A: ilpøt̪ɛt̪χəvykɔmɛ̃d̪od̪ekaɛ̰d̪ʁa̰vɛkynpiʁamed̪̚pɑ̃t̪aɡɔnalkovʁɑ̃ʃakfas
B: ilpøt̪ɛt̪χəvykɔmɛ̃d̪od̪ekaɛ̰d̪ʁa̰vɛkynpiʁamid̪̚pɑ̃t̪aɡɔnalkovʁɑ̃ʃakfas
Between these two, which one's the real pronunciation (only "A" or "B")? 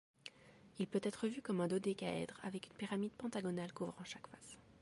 B